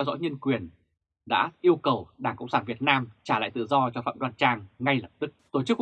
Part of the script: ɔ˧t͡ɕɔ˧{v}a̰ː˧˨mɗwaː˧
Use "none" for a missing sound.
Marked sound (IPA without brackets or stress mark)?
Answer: f